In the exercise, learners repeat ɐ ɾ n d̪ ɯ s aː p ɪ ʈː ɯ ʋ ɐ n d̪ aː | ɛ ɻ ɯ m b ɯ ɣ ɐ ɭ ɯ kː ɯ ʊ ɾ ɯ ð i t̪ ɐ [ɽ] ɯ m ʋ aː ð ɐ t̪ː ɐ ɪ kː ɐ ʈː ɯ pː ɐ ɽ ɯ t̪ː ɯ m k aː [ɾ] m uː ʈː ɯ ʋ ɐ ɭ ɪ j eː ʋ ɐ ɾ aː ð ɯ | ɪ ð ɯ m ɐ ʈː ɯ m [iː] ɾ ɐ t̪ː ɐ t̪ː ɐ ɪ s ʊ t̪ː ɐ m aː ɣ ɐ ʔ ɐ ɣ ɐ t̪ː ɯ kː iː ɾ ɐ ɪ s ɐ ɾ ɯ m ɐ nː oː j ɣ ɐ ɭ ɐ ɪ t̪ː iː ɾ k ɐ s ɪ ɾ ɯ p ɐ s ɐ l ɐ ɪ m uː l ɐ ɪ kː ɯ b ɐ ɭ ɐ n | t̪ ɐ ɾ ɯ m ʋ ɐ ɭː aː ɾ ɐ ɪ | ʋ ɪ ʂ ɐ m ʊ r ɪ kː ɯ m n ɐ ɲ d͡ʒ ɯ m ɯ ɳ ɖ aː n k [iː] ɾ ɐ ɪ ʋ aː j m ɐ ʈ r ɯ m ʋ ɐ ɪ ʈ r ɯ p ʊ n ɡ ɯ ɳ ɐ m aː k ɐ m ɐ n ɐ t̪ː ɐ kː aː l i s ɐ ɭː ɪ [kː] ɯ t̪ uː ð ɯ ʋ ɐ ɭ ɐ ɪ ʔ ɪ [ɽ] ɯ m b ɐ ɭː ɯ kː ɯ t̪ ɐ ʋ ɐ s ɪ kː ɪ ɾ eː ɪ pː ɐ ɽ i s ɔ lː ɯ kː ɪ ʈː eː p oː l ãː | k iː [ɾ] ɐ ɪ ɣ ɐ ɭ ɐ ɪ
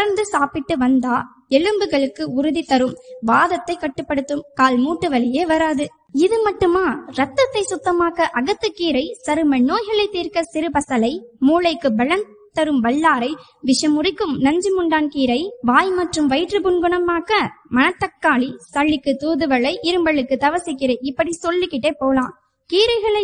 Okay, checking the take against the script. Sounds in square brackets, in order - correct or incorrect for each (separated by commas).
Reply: incorrect, incorrect, incorrect, correct, correct, incorrect, correct